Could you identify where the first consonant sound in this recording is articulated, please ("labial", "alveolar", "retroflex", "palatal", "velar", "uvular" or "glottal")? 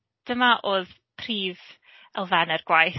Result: alveolar